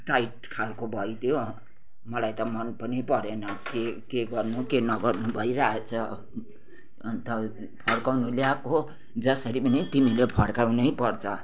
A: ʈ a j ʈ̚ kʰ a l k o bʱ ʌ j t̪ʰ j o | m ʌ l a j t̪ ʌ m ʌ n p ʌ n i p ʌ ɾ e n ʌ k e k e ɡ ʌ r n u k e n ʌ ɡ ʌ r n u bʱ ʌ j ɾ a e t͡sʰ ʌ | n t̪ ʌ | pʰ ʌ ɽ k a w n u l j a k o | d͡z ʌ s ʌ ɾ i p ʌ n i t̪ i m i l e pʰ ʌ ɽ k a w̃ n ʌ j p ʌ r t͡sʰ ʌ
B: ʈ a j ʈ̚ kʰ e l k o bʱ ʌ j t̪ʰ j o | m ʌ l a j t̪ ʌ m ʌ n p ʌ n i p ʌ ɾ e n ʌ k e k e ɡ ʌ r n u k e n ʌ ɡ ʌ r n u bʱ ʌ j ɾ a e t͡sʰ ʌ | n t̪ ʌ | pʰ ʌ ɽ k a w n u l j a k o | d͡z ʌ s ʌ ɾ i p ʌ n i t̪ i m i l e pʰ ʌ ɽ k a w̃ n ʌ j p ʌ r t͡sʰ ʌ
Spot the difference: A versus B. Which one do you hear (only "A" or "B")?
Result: A